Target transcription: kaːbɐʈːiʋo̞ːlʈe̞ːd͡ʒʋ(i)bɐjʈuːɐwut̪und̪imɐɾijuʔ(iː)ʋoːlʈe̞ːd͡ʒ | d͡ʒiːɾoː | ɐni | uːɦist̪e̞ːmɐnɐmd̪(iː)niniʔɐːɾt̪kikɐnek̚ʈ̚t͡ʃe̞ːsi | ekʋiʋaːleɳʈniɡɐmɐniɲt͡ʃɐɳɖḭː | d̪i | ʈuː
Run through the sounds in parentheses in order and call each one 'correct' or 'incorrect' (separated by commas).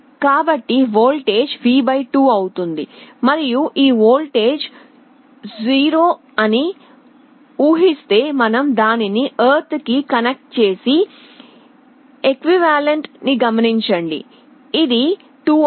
incorrect, correct, incorrect